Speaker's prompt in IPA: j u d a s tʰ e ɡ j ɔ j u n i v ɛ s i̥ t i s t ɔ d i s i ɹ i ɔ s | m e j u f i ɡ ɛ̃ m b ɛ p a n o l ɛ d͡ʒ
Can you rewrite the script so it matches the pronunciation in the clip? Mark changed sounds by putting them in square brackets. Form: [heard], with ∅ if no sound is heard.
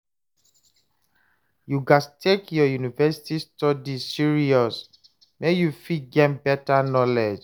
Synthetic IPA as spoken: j u [ɡ] a s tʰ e [k] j ɔ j u n i v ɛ s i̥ t i s t ɔ d i s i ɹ i ɔ s | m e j u f i ɡ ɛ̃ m b ɛ [t] a n [ɔ] l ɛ d͡ʒ